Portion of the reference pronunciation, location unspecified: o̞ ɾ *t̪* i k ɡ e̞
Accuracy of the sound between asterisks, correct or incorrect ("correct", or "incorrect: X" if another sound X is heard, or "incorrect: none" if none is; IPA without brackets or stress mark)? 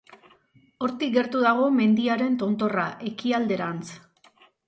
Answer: correct